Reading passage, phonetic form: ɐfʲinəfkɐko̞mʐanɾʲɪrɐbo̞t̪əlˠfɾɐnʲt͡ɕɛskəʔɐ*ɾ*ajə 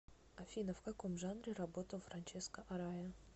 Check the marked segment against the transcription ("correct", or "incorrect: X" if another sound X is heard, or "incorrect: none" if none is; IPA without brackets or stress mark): correct